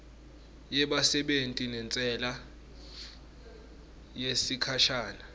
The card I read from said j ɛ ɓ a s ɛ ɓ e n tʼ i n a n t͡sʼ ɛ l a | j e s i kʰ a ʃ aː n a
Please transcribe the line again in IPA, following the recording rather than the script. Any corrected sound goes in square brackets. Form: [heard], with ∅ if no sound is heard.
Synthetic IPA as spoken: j ɛ ɓ a s ɛ ɓ e n tʼ i n [ɛ] n t͡sʼ ɛ l a | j e s i kʰ a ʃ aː n a